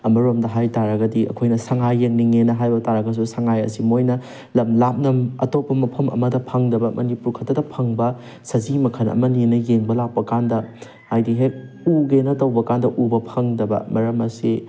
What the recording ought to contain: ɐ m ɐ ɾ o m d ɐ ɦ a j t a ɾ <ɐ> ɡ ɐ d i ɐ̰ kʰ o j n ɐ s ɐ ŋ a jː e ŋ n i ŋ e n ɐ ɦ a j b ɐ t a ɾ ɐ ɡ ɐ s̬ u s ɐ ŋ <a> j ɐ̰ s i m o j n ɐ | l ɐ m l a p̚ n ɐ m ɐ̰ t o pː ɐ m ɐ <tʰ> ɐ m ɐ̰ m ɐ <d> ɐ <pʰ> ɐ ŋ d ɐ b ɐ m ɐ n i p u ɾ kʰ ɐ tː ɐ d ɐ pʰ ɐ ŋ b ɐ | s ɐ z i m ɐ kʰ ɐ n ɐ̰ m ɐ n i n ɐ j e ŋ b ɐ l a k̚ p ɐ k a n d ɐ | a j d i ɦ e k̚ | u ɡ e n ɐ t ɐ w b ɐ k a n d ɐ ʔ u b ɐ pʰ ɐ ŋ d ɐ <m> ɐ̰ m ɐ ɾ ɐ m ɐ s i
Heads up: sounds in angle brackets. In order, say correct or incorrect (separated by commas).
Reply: correct, correct, incorrect, correct, correct, incorrect